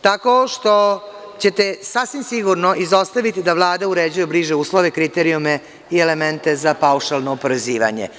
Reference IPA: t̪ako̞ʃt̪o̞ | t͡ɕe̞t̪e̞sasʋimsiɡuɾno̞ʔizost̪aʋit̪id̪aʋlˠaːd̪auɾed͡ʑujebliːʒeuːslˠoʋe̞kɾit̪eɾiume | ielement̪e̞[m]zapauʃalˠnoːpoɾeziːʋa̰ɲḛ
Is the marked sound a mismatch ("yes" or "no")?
yes